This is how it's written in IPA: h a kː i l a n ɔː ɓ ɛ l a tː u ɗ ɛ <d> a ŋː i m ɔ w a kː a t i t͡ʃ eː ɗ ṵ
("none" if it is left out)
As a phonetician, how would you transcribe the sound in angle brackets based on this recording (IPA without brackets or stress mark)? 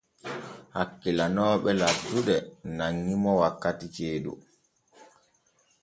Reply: n